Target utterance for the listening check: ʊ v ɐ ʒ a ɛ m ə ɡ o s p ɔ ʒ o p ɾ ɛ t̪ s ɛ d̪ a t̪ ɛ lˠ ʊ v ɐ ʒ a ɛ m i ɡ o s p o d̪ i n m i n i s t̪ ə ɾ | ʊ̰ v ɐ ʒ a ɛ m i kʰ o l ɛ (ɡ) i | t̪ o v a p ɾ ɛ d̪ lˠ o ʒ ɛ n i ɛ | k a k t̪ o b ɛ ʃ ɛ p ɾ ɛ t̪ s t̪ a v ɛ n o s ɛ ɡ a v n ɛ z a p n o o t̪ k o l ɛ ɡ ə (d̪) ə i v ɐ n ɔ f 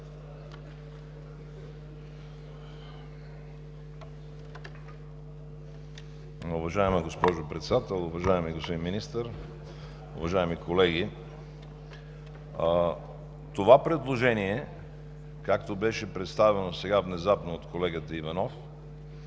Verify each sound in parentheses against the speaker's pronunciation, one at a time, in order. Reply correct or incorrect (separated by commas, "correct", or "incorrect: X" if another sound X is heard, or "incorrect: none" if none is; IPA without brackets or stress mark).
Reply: correct, incorrect: t̪